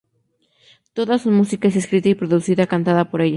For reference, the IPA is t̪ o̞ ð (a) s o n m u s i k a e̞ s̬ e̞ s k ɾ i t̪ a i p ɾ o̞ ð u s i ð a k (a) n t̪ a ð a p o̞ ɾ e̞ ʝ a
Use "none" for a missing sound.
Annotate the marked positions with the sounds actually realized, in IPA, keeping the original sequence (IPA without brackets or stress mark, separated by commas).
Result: a, a